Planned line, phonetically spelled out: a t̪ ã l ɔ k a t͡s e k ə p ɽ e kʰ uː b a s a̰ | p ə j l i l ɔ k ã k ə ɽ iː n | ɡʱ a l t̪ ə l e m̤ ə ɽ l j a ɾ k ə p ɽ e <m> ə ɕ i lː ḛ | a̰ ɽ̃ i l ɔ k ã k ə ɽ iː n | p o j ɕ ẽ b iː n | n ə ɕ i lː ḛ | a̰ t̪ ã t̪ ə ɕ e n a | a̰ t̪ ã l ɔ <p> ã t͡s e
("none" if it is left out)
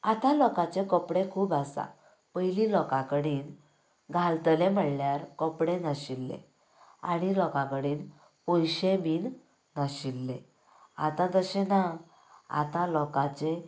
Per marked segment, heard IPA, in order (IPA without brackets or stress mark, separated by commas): n, k